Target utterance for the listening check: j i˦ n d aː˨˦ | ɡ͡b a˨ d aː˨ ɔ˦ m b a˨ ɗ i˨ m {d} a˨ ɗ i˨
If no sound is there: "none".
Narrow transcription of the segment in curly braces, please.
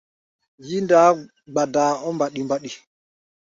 b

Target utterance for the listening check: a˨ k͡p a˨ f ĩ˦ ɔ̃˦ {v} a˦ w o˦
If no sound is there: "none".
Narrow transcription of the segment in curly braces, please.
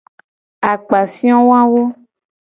w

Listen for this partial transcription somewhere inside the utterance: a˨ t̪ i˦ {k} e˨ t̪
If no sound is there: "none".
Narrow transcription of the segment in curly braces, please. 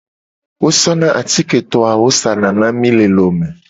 k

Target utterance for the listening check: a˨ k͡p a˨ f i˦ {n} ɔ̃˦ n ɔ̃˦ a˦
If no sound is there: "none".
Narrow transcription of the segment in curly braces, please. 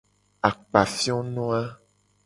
none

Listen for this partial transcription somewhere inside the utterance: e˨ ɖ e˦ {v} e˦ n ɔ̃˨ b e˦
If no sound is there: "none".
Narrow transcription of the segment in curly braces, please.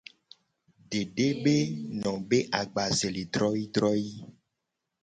b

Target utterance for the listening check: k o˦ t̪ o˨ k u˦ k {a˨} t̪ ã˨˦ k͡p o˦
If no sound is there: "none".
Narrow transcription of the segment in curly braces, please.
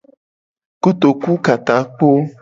a˨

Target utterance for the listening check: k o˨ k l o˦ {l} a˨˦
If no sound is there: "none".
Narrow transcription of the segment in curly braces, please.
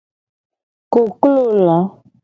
l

